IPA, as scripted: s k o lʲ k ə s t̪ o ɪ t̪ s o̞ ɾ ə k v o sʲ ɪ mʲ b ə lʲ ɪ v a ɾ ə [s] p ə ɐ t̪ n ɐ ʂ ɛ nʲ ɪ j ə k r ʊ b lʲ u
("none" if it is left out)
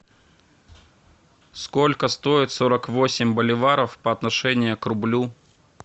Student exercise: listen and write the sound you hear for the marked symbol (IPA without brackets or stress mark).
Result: f